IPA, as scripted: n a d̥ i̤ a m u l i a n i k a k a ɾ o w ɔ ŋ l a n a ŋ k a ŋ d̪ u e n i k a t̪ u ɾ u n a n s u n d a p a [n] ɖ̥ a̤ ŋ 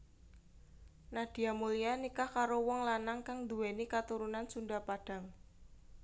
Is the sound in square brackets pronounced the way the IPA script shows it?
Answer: no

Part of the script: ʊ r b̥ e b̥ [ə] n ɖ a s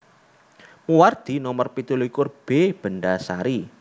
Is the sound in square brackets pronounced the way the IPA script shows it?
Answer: yes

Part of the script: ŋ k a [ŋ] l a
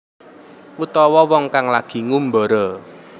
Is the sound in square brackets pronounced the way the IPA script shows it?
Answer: yes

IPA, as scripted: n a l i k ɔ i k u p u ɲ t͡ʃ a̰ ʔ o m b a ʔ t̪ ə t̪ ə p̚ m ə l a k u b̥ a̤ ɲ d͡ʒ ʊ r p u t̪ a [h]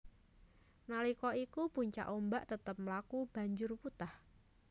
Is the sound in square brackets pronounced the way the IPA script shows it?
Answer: yes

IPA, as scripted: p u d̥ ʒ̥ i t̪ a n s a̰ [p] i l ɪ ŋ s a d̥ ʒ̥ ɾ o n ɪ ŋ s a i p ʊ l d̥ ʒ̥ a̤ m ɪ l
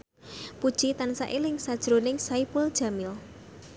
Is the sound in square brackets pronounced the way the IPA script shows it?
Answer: no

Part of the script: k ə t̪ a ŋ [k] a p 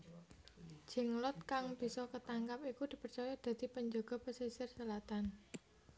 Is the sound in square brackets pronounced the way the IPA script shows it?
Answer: yes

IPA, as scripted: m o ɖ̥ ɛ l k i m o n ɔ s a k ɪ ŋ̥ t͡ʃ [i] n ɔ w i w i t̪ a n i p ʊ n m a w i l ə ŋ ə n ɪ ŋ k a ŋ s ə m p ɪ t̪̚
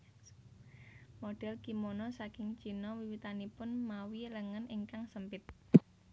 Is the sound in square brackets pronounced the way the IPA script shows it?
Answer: yes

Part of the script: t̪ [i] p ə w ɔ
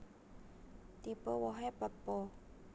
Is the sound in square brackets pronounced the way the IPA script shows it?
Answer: yes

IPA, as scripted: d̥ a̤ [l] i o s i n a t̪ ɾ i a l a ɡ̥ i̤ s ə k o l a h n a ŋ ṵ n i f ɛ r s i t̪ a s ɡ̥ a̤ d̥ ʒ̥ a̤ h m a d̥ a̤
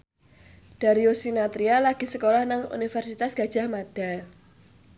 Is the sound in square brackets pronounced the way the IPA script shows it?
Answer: no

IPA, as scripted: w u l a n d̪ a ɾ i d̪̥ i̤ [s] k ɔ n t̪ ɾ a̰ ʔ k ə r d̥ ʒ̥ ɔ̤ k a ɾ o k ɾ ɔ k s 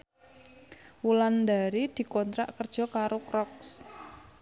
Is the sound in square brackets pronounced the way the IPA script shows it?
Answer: no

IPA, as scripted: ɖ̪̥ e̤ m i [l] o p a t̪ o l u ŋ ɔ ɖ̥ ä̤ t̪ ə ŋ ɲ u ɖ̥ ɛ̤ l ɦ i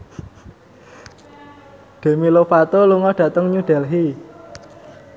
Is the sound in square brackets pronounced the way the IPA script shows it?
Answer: yes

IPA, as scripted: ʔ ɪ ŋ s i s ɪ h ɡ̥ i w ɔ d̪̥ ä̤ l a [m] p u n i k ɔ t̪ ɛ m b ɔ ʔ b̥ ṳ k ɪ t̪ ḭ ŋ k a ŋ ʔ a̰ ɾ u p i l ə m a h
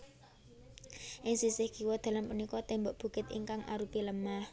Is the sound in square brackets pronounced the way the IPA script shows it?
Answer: yes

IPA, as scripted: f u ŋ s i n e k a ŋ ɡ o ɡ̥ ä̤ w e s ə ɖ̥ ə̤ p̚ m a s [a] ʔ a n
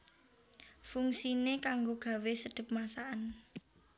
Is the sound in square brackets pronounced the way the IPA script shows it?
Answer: yes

